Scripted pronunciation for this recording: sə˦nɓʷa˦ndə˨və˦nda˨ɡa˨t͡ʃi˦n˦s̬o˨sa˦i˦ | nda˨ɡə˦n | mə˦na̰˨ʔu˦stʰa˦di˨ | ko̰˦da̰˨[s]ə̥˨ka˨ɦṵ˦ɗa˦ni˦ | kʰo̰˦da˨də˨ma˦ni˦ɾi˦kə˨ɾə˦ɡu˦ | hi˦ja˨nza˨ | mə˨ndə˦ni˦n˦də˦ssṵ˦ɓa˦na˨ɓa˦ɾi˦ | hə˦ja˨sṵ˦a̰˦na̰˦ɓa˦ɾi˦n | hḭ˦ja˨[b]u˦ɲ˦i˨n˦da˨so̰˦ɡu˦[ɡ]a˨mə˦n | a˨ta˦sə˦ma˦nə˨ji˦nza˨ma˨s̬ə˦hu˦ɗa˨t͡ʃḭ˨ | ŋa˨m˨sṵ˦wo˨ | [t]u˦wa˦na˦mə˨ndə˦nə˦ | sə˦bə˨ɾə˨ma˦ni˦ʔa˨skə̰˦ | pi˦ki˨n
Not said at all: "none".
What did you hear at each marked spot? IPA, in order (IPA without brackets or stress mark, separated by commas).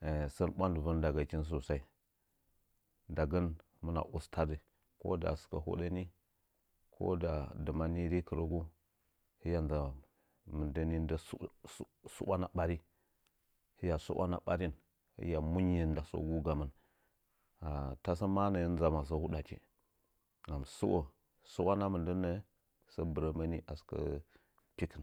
s, m, ɡ, s